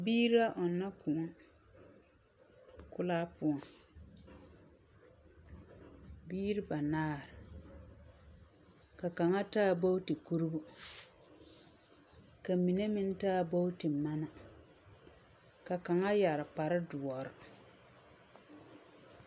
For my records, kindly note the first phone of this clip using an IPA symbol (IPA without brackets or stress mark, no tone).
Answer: b